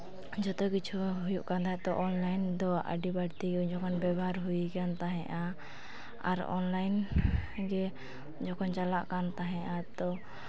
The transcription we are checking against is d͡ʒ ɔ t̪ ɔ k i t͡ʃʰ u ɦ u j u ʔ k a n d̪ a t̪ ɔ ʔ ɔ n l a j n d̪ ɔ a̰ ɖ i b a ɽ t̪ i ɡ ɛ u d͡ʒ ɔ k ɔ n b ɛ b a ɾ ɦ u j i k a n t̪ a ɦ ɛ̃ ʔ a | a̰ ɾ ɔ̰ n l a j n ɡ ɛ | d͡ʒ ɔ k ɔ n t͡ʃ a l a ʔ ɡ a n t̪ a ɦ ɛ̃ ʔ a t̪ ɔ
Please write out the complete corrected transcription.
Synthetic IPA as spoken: d͡ʒ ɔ t̪ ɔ k i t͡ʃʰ u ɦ u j u ʔ k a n d̪ a t̪ ɔ ʔ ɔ n l a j n d̪ ɔ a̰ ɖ i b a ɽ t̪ i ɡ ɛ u d͡ʒ ɔ k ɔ n b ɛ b a ɾ ɦ u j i k a n t̪ a ɦ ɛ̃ ʔ a | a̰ ɾ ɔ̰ n l a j n ɡ ɛ | d͡ʒ ɔ k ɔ n t͡ʃ a l a ʔ k a n t̪ a ɦ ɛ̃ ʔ a t̪ ɔ